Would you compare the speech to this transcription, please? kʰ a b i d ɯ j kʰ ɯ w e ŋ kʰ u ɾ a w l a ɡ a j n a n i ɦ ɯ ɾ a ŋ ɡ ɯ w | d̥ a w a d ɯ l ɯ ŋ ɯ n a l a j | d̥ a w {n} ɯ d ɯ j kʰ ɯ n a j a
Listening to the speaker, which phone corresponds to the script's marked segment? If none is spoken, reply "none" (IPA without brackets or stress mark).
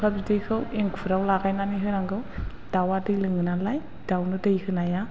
n